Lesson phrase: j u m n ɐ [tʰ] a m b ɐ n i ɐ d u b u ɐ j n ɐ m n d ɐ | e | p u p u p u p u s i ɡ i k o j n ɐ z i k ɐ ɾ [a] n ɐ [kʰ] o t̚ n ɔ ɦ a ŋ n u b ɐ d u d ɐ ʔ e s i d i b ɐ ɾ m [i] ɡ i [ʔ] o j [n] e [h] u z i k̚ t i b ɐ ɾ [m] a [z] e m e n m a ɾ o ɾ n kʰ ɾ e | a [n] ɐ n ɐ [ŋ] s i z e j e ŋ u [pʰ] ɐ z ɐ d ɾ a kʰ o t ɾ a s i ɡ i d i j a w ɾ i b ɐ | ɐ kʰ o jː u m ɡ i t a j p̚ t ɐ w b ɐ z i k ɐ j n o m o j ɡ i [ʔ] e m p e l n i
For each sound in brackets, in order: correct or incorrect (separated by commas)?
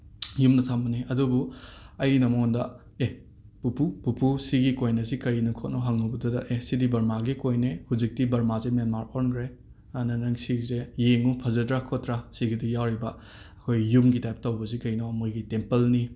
correct, incorrect, correct, incorrect, incorrect, correct, correct, correct, correct, correct, correct, correct, incorrect